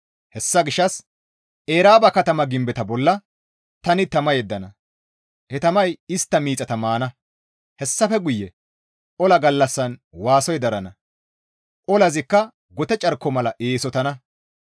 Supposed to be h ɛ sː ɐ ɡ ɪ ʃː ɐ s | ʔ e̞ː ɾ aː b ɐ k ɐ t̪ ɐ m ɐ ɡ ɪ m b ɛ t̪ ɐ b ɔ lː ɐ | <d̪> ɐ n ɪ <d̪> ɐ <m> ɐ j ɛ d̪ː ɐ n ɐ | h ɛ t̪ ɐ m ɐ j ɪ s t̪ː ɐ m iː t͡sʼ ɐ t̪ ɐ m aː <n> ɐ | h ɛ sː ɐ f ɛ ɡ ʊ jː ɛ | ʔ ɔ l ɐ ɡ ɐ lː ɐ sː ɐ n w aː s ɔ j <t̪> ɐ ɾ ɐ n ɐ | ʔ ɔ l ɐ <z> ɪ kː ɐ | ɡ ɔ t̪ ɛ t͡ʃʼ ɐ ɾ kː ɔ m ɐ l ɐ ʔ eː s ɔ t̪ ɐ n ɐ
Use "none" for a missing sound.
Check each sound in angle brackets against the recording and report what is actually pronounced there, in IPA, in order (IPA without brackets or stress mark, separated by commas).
t̪, t̪, m, n, d̪, z